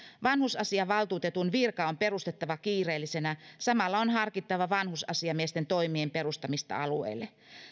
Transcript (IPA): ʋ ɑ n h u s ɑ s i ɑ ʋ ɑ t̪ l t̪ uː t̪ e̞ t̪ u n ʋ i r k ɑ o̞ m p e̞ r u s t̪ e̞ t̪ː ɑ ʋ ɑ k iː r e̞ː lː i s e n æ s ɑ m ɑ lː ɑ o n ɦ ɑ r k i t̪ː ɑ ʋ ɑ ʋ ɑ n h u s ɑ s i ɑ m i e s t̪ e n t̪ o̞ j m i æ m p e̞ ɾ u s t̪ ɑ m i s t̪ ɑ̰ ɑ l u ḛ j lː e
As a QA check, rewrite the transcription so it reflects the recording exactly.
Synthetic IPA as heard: ʋ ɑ n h u s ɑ s i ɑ ʋ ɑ l t̪ uː t̪ e̞ t̪ u n ʋ i r k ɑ o̞ m p e̞ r u s t̪ e̞ t̪ː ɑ ʋ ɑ k iː r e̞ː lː i s e n æ s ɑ m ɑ lː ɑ o n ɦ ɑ r k i t̪ː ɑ ʋ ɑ ʋ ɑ n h u s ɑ s i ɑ m i e s t̪ e n t̪ o̞ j m i e m p e̞ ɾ u s t̪ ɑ m i s t̪ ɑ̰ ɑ l u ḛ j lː e